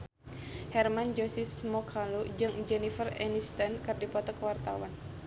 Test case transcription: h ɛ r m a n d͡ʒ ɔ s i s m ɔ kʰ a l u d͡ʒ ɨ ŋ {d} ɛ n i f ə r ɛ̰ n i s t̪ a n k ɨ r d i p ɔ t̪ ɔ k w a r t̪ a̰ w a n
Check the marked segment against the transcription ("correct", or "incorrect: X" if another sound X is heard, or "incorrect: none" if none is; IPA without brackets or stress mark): incorrect: d͡ʒ